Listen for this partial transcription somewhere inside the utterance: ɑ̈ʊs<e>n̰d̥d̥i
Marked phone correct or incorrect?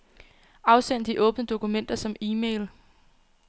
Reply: correct